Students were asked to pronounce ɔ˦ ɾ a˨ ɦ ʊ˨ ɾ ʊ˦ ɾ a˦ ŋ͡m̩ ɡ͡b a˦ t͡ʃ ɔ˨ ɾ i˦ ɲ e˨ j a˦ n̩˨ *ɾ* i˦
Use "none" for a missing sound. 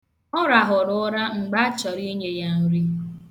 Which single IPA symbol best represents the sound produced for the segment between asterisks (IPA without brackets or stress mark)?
ɾ